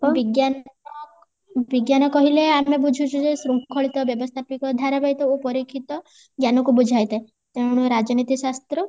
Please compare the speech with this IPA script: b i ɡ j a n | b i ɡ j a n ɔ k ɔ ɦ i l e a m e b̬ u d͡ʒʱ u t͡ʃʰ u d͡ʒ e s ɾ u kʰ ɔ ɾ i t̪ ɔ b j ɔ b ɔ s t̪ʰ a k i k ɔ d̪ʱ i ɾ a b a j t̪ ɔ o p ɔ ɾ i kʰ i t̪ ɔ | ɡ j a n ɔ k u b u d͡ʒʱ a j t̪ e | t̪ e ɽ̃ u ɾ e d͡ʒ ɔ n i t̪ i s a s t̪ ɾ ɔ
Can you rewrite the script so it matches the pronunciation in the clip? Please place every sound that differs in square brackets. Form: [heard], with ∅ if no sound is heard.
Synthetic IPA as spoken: b i ɡ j a n | b i ɡ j a n ɔ k ɔ ɦ i l e a m e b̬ u d͡ʒʱ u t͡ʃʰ u d͡ʒ e s ɾ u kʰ ɔ [ɭ] i t̪ ɔ b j ɔ b ɔ s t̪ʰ a [p] i k ɔ d̪ʱ [a] ɾ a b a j t̪ ɔ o p ɔ ɾ i kʰ i t̪ ɔ | ɡ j a n ɔ k u b u d͡ʒʱ a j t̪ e | t̪ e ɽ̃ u ɾ [a] d͡ʒ ɔ n i t̪ i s a s t̪ ɾ ɔ